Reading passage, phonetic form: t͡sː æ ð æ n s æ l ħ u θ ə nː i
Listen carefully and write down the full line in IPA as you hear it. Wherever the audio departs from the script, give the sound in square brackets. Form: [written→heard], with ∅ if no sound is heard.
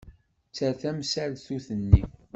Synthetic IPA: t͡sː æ [ð→θ] æ [n→m] s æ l [ħ→θ] u θ ə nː i

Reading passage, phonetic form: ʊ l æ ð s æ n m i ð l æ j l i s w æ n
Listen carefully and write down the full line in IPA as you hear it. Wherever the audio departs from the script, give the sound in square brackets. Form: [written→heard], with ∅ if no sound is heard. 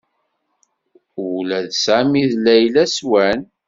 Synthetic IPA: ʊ l æ ð s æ [n→∅] m i ð l æ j l [i→æ] s w æ n

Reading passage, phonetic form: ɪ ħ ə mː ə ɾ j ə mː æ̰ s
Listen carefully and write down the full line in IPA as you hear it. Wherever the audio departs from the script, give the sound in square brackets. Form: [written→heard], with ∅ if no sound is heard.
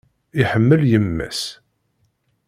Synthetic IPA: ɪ ħ ə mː ə [ɾ→l] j ə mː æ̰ s

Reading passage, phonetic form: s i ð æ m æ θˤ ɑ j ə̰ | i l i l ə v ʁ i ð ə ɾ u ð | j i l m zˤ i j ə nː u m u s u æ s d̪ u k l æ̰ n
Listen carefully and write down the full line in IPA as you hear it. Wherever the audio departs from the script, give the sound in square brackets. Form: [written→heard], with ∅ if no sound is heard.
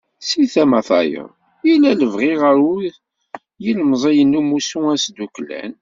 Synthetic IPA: s i [ð→θ] æ m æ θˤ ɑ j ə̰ | i l [i→æ] l ə v ʁ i [ð→ʁ] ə ɾ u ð | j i l m zˤ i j ə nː u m u s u æ s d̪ u k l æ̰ n

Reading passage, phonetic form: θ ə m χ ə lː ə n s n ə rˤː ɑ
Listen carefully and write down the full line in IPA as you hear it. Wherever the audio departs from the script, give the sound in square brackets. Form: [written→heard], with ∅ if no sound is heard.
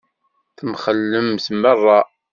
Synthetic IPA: θ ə m χ ə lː ə [n→m] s [n→m] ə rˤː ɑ

